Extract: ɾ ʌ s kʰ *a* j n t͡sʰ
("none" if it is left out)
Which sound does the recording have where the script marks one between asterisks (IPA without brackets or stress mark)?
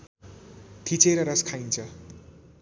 a